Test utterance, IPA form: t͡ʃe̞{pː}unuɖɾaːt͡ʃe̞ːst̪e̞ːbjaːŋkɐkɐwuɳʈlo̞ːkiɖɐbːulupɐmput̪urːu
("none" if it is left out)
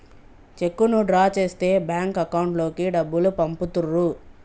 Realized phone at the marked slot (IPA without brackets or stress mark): kː